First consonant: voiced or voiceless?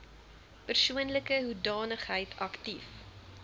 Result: voiceless